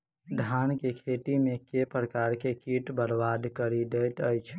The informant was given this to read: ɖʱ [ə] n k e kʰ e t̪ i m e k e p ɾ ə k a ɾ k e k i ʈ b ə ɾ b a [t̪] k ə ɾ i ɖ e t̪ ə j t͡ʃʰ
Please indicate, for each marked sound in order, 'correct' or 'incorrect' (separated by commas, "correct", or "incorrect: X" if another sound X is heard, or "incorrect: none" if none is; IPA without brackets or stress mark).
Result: incorrect: a, incorrect: d̪